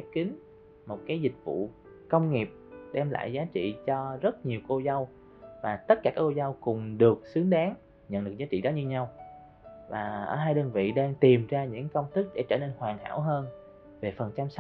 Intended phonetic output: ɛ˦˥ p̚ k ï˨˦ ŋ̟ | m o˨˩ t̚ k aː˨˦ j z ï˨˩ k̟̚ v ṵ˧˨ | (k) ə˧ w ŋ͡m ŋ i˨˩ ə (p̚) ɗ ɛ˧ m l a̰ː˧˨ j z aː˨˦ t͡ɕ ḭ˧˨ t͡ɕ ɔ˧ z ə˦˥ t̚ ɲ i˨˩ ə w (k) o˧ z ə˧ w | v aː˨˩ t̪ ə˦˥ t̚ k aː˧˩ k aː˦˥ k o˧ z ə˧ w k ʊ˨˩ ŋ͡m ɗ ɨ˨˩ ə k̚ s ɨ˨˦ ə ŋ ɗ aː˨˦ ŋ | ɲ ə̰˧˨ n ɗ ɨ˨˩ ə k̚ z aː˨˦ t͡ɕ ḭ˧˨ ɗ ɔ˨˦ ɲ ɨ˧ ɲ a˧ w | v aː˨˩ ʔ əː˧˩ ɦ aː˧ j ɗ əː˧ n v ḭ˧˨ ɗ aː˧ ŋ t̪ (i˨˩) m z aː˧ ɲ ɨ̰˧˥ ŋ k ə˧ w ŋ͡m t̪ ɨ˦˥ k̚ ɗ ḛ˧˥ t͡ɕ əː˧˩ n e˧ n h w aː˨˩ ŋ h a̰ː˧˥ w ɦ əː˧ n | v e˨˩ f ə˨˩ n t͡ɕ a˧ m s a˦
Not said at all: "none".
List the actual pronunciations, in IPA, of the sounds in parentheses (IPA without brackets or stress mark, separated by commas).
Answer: k, p̚, k, i˨˩